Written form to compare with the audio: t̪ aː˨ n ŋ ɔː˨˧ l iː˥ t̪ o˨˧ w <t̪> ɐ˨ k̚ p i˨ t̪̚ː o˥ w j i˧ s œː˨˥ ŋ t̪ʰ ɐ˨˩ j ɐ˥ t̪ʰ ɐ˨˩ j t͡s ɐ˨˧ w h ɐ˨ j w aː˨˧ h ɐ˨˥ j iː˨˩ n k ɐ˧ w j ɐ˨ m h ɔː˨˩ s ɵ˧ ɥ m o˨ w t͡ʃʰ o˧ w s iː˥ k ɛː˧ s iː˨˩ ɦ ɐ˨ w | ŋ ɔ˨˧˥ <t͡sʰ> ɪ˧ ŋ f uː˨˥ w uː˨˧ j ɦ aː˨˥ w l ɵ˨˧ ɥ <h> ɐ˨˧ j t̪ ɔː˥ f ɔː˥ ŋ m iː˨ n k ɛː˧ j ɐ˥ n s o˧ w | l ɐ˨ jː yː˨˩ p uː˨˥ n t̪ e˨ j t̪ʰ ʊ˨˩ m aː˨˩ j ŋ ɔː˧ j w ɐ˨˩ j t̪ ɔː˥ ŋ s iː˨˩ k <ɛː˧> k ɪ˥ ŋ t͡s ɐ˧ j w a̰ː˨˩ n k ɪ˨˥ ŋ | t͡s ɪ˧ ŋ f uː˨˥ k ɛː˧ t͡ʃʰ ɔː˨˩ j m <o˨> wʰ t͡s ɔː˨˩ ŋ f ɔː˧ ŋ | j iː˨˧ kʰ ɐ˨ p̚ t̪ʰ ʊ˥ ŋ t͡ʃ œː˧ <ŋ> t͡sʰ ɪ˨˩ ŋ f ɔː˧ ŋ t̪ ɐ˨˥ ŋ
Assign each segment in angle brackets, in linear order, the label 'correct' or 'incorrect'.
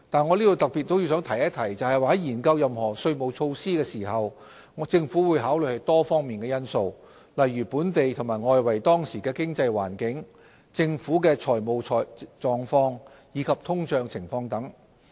correct, incorrect, correct, correct, correct, correct

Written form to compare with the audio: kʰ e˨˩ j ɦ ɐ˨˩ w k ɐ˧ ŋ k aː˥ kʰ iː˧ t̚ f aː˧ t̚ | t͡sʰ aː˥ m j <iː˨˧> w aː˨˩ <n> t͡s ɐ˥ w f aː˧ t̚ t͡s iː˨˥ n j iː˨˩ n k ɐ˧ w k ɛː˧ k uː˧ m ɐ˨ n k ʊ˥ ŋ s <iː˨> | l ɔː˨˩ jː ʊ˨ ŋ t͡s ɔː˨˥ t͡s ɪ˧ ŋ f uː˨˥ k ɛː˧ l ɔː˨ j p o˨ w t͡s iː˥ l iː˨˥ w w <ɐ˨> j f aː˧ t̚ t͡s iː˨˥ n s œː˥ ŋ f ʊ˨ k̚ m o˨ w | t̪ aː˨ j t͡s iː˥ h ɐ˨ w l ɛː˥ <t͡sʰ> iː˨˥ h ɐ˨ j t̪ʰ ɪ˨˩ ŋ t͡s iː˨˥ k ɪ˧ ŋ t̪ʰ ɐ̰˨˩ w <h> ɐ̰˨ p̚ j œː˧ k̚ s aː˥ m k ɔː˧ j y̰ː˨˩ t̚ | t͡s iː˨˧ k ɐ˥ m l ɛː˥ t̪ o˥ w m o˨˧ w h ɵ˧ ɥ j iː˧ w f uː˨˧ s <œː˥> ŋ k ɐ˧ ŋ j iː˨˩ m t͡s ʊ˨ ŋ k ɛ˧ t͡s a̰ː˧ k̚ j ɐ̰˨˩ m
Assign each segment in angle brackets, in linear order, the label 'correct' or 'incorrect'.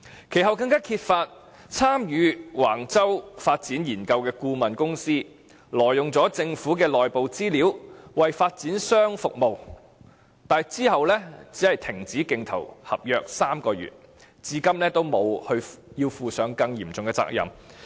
incorrect, incorrect, incorrect, correct, incorrect, correct, incorrect

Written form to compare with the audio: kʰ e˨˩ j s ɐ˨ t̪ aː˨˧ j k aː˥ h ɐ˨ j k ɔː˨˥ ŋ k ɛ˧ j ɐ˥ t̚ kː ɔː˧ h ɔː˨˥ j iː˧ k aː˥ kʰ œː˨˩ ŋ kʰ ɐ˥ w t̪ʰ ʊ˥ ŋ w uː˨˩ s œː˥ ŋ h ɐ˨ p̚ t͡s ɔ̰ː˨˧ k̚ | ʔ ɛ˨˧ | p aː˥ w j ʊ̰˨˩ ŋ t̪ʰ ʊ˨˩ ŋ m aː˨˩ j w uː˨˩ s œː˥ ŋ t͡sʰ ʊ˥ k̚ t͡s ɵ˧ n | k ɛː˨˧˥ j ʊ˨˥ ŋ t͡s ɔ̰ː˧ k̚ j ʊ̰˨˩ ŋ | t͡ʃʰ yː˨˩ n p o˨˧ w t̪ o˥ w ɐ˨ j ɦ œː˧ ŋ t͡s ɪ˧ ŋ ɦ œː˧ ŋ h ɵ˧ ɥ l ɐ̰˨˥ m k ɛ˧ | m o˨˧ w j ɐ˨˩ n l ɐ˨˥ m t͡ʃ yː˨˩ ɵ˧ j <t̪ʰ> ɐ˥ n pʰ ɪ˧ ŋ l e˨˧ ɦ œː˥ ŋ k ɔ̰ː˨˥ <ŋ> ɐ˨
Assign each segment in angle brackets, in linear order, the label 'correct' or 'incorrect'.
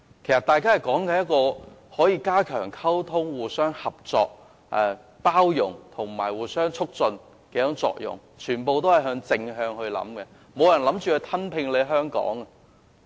correct, correct

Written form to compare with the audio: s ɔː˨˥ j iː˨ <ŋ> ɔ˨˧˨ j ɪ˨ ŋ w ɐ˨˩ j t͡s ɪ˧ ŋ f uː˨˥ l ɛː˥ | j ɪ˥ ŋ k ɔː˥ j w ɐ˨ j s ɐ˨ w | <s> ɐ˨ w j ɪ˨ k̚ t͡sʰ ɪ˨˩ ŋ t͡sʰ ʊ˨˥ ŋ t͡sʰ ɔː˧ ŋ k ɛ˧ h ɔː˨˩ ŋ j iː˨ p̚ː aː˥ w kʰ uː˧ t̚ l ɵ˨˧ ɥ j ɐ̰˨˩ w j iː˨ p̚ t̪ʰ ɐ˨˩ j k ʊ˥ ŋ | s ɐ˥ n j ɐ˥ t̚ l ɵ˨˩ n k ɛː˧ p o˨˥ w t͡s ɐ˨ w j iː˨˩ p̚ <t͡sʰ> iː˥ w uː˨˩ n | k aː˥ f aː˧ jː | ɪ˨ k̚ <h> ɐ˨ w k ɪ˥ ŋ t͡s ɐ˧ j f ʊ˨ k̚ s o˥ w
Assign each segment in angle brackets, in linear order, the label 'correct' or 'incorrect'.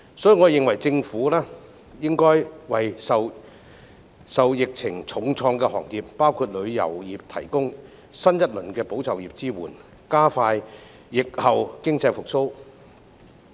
correct, correct, incorrect, correct

